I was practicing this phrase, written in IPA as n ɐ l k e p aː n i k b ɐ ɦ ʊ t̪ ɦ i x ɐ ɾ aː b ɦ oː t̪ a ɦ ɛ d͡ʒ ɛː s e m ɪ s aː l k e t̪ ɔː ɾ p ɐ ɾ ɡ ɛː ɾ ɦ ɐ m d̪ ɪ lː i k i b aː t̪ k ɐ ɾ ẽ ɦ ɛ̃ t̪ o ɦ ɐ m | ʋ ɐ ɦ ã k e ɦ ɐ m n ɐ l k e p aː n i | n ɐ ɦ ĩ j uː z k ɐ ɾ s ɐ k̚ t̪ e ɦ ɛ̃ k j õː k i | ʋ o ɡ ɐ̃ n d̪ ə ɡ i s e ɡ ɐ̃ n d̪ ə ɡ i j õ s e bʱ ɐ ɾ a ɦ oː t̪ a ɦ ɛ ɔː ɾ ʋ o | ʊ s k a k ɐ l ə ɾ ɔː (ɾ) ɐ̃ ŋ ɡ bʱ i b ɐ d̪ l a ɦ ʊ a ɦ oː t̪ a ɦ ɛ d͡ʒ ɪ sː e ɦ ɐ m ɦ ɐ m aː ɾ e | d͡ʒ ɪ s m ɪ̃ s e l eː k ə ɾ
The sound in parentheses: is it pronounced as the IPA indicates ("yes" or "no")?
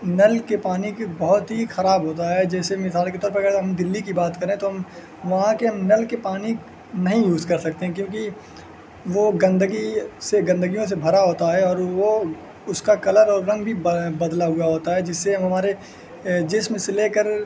no